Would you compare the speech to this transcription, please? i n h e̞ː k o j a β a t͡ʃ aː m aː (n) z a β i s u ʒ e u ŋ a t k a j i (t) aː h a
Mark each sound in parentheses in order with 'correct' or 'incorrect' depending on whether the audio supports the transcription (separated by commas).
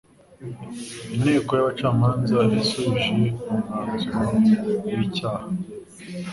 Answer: correct, incorrect